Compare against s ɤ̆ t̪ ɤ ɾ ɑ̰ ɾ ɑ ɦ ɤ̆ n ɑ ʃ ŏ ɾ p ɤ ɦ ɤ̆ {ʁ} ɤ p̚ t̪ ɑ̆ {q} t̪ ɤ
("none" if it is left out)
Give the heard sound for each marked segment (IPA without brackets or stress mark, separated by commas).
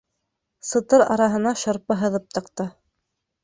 ð, q